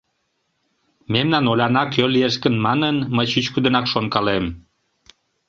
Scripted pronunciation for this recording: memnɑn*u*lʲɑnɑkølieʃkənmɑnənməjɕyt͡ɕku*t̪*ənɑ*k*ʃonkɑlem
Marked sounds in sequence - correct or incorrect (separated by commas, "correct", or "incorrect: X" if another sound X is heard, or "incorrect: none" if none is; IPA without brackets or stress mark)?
incorrect: o, incorrect: d̪, correct